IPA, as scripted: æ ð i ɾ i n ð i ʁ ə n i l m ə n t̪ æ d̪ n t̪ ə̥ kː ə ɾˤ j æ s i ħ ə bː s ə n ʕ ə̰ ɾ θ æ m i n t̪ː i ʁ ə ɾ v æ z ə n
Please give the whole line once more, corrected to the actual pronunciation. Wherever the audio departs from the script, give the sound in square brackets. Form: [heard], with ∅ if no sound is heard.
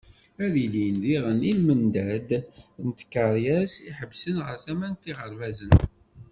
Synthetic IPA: æ ð i [l] i n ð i ʁ ə n i l m ə n [d̪] æ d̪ n t̪ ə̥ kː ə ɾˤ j æ s i ħ ə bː s ə n [ʁ] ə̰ ɾ θ æ m [æ] n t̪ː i ʁ ə ɾ v æ z ə n